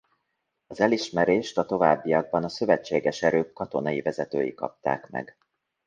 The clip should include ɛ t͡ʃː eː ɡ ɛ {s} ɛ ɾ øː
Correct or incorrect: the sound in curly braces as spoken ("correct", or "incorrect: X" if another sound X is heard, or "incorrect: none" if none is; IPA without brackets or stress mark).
incorrect: ʃ